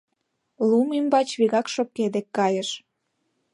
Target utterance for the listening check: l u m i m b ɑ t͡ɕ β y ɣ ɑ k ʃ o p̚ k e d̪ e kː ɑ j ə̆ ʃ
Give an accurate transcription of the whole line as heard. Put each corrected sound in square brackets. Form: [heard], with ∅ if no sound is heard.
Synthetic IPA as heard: l u m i m b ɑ t͡ɕ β [i] ɣ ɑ k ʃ o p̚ k e d̪ e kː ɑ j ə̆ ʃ